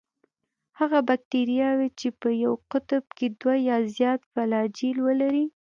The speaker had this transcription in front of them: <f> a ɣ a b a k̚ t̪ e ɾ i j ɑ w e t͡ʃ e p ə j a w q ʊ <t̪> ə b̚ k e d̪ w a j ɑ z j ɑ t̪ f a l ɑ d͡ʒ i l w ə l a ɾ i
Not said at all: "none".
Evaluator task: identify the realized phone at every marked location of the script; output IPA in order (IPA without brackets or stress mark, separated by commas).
h, t̪